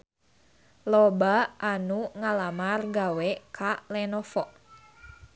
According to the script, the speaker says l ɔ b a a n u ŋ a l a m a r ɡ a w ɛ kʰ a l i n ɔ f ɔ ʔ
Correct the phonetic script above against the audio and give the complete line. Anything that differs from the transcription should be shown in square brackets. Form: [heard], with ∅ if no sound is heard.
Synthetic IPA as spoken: l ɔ b a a n u ŋ a l a m a r ɡ a w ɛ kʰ a l [ɛ] n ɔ f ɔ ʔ